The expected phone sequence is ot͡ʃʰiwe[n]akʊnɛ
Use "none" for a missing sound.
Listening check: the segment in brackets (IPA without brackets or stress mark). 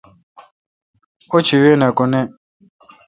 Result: n